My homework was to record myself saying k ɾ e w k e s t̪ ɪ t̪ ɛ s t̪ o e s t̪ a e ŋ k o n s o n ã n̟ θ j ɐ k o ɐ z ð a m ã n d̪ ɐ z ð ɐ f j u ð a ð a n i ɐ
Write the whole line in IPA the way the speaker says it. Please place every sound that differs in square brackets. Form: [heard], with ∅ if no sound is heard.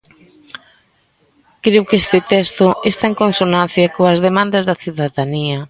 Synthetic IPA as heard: k ɾ e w k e s t̪ ɪ t̪ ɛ s t̪ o e s t̪ a e ŋ k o n s o n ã n̟ θ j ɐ k o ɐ z ð [e] m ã n d̪ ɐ z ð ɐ [θ] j u ð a ð a n i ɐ